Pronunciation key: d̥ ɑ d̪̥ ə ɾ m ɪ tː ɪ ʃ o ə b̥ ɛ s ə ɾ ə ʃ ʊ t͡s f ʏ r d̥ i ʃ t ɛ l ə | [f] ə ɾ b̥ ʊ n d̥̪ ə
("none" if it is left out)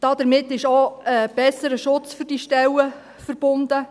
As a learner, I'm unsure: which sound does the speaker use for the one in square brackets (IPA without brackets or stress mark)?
f